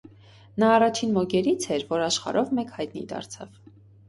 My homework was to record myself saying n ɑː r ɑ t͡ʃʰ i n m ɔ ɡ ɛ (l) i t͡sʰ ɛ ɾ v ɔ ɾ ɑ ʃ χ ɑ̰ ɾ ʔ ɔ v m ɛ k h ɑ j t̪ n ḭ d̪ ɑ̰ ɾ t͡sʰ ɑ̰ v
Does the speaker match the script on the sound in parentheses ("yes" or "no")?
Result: no